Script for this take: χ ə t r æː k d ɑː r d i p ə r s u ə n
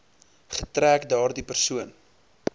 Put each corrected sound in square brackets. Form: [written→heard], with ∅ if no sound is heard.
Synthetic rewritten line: χ ə t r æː k d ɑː r d i p ə r s u ə n